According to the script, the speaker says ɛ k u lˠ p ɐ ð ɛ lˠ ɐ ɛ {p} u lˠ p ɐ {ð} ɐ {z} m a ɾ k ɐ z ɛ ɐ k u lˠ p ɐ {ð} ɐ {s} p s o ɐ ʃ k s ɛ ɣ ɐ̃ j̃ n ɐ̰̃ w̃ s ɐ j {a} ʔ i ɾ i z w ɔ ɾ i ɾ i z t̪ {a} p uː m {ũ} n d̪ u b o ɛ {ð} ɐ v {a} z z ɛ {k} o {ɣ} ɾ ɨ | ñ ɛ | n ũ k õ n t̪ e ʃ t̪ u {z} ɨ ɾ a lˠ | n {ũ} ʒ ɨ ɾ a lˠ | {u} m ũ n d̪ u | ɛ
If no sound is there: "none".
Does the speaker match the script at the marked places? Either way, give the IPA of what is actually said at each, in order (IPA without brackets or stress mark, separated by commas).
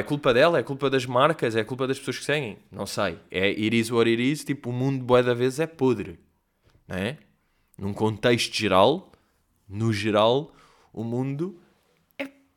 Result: k, ð, ʒ, ð, ʃ, ɛ, i, ũ, ð, e, p, ð, ʒ, u, u